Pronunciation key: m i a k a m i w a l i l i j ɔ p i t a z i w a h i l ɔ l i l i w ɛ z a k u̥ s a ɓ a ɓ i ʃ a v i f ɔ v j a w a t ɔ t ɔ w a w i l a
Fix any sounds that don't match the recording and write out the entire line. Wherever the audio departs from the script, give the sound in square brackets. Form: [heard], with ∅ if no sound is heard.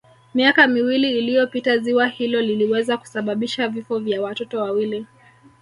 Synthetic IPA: m i a k a m i w [i] l [iː] l i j ɔ p i t a z i w a h i l ɔ l i l i w ɛ z a k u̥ s a ɓ a ɓ i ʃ a v i f ɔ v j a w a t ɔ t ɔ w a w i l [i]